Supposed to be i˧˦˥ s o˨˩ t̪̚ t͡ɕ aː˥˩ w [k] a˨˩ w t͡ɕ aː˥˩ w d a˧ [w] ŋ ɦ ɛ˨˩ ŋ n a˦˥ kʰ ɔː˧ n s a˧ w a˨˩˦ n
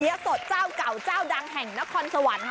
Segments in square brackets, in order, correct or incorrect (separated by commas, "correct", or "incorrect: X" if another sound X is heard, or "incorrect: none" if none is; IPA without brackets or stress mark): correct, incorrect: none